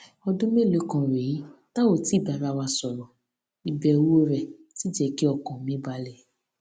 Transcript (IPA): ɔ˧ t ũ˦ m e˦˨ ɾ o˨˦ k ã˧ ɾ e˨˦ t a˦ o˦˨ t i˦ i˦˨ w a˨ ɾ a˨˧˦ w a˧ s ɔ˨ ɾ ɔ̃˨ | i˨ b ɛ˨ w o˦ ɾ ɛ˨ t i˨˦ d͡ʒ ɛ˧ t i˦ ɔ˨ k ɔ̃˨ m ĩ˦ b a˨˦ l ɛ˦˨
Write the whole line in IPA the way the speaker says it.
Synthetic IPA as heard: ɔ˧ d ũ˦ m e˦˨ l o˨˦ k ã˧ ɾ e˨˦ t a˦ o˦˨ t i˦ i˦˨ b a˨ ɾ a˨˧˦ w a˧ s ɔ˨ ɾ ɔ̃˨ | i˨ b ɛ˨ w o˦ ɾ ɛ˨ t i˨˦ d͡ʒ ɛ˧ k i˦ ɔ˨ k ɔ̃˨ m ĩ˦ b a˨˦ l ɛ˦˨